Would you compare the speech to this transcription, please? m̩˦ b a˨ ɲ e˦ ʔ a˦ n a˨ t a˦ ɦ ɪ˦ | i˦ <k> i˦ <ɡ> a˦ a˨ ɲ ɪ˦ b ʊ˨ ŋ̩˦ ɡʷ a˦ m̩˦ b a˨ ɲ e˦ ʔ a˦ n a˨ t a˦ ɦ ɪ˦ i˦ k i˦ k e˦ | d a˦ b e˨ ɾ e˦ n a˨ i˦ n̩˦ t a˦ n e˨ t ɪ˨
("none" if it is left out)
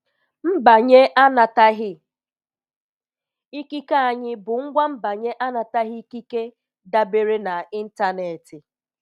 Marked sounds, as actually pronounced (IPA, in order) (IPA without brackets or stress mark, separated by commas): k, k